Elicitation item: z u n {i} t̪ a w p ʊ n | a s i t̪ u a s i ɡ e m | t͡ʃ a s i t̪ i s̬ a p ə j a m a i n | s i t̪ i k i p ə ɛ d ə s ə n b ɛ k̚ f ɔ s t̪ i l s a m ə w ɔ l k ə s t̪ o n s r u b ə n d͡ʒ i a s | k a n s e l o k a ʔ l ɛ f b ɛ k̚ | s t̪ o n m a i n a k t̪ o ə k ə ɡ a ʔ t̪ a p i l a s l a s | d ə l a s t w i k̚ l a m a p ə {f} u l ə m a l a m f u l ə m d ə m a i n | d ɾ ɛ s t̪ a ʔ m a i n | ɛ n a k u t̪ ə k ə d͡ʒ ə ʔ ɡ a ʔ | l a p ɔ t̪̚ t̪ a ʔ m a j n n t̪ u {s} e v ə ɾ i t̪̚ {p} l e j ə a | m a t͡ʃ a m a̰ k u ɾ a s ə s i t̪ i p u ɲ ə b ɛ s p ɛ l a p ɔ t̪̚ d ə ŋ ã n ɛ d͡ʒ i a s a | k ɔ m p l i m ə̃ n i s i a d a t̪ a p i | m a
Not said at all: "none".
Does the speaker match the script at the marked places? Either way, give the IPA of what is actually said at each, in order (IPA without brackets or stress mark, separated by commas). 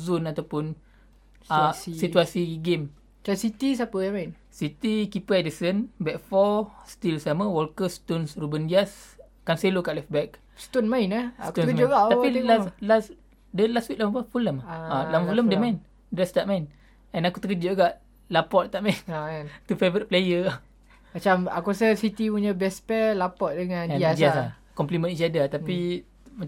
a, f, f, p